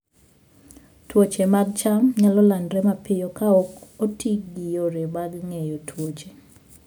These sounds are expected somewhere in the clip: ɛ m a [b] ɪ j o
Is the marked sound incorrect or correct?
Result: incorrect